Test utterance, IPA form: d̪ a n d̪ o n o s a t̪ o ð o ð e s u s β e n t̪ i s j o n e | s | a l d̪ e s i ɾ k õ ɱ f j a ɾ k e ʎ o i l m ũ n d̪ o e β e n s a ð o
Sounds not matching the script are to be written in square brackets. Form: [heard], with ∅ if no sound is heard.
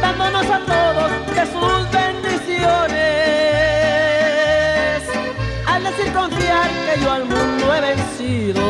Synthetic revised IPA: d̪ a n d̪ o n o s a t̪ o ð o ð e s u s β e n [d̪] i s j o n e | s | a l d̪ e s i ɾ k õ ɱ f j a ɾ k e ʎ o [a] l m ũ n d̪ o e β e n s [i] ð o